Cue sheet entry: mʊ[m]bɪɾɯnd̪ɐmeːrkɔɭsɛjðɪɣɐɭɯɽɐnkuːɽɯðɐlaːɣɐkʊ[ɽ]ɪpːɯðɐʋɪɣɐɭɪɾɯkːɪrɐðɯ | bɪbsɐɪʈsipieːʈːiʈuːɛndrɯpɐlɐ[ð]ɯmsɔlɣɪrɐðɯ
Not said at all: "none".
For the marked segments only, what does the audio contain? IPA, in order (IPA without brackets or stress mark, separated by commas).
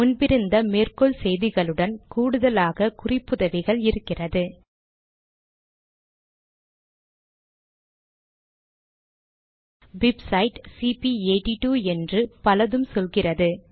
n, r, ð